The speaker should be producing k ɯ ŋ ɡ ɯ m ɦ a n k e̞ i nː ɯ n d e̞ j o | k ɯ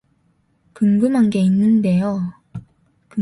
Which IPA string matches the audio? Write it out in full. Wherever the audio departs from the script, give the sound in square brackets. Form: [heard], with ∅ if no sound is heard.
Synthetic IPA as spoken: k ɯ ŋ ɡ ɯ m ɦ a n [ɡ] e̞ i nː ɯ n d e̞ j o | k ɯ